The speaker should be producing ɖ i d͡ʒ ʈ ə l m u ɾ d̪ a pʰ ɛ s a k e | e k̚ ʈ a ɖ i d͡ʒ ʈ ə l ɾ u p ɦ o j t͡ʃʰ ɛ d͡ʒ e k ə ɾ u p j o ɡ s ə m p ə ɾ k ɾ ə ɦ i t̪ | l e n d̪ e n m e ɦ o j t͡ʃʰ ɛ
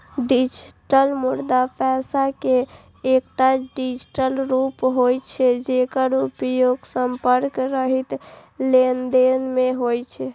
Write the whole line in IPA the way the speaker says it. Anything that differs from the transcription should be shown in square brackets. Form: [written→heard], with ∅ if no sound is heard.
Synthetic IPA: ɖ i d͡ʒ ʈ ə l m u ɾ d̪ a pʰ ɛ s a k e | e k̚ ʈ a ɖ i d͡ʒ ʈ ə l ɾ u p ɦ o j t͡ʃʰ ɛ d͡ʒ e k ə ɾ u p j o ɡ s ə m p ə ɾ k ɾ ə ɦ i t̪ | l e n d̪ e n m e ɦ o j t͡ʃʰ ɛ